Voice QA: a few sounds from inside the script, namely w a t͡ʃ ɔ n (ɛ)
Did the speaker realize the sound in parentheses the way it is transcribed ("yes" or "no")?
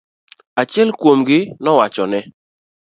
yes